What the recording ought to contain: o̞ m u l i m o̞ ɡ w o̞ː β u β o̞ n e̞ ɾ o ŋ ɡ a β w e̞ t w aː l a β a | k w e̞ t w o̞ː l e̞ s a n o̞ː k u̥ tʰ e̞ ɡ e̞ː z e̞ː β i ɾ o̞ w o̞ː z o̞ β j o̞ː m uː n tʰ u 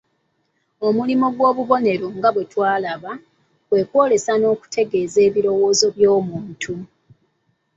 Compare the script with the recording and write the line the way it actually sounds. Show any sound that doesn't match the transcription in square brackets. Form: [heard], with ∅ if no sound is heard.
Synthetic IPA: o̞ m u l i m o̞ ɡ w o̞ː β u β o̞ n e̞ ɾ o ŋ ɡ a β w e̞ t w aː l a β a | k w e̞ [k] w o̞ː l e̞ s a n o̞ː k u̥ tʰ e̞ ɡ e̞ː z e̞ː β i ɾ o̞ w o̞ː z o̞ β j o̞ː m uː n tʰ u